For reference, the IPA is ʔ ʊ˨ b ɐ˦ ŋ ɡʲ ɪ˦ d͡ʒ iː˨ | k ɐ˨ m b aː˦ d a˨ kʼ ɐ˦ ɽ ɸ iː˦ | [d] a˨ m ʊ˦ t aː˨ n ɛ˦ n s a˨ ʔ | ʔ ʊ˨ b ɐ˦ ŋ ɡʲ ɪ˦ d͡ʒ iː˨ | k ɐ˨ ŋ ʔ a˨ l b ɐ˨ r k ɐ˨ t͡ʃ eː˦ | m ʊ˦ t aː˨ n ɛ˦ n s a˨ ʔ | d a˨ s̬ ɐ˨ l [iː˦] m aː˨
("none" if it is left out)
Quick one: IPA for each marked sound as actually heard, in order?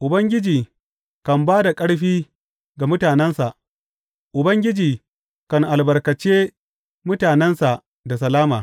ɡ, aː˦

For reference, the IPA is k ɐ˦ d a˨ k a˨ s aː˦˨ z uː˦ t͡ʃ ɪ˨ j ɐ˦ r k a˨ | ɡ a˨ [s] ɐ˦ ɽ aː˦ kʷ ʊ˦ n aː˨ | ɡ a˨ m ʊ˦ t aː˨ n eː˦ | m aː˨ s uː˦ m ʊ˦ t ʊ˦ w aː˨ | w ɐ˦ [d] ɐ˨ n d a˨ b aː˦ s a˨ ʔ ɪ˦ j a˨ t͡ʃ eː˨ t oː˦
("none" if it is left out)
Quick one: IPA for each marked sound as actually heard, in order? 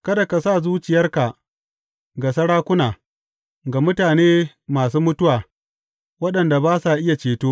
s, ɗ

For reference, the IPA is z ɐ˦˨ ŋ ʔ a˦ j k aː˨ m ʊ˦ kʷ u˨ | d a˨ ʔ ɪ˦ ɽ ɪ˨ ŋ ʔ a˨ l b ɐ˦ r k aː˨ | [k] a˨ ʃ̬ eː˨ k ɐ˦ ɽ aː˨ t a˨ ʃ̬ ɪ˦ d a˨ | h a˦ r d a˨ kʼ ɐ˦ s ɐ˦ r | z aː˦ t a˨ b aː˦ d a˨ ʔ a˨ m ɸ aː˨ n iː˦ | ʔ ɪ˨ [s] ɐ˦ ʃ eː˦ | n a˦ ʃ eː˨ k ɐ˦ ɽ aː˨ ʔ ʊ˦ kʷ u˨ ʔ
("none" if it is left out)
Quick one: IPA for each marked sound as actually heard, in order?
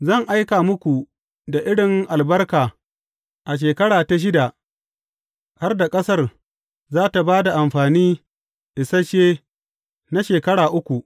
ʔ, s

